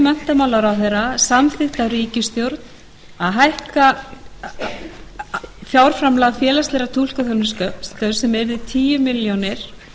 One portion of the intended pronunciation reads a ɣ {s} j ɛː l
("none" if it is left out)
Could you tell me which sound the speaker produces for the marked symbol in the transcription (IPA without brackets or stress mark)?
f